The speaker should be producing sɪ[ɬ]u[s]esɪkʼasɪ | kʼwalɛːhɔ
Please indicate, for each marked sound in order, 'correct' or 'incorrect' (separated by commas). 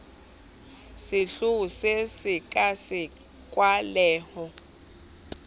correct, correct